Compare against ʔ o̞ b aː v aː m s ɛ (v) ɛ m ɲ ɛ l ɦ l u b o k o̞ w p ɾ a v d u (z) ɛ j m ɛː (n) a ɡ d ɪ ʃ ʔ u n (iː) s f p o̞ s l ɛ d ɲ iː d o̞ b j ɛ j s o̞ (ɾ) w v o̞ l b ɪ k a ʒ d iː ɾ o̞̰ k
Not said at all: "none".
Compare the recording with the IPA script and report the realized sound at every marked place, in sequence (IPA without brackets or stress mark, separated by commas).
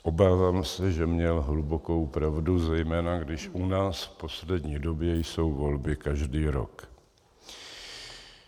ʒ, z, n, aː, none